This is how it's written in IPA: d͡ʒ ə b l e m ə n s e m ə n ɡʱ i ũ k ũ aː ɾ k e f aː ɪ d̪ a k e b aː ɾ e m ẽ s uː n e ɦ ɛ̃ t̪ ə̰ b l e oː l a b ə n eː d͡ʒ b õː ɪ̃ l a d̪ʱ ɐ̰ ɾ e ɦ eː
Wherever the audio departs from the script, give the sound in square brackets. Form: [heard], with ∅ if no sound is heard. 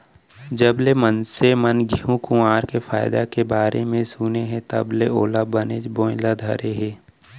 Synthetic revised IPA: d͡ʒ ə b l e m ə n s e m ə n ɡʱ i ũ k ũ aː ɾ k e f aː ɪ d̪ a k e b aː ɾ e m ẽ s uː n e ɦ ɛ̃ t̪ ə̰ b l e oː l a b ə n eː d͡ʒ b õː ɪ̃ l a d̪ʱ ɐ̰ ɾ e ɦ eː